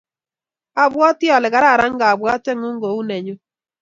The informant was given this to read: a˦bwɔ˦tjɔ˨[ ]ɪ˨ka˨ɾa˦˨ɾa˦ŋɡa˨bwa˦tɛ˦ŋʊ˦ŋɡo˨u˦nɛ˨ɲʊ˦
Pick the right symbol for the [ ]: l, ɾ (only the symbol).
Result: l